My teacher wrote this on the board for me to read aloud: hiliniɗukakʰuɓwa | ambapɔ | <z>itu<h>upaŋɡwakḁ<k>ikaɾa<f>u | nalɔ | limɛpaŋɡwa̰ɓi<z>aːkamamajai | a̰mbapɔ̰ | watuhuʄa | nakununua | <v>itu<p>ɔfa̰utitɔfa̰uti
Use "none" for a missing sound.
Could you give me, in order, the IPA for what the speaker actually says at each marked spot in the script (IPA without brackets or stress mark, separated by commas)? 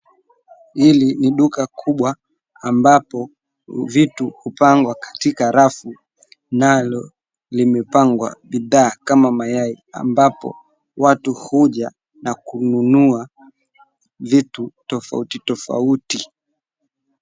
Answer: v, h, t, f, ð, v, t